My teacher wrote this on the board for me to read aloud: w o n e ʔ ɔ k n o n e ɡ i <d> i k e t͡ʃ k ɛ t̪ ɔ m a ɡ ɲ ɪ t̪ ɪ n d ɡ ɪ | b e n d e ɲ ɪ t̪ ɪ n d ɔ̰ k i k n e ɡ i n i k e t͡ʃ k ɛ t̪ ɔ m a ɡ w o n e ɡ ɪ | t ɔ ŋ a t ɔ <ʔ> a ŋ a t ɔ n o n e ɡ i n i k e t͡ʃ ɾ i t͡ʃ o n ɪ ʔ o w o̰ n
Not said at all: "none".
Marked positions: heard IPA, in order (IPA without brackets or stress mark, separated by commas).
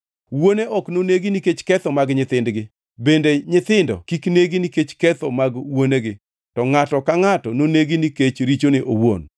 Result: n, k